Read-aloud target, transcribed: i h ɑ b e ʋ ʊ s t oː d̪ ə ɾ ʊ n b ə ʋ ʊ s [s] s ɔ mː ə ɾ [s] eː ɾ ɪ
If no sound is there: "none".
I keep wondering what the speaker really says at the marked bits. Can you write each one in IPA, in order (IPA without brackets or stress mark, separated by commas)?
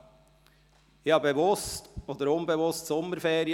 t, f